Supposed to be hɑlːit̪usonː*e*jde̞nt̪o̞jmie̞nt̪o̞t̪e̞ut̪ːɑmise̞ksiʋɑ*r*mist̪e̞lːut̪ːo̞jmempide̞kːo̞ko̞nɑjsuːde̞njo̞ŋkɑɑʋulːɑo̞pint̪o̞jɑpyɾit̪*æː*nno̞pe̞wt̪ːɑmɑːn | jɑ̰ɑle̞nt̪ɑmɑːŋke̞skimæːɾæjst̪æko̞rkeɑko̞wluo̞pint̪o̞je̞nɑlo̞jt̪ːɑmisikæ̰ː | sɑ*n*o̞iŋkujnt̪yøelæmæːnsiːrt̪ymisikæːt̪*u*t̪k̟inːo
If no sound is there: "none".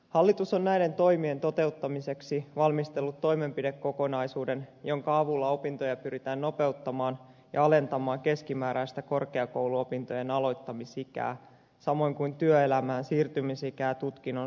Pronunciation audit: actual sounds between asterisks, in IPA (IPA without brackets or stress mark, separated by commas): æ, l, æː, m, u